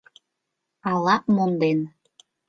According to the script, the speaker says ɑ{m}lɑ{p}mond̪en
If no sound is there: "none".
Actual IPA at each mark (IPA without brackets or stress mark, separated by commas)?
none, p